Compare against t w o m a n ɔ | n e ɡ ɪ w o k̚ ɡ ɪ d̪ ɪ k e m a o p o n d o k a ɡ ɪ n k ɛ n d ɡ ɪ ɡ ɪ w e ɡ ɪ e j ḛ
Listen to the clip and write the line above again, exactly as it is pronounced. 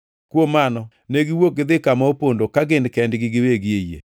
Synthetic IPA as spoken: k w o m a n ɔ | n e ɡ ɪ w o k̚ ɡ ɪ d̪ ɪ k a m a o p o n d o k a ɡ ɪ n k ɛ n d ɡ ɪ ɡ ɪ w e ɡ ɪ e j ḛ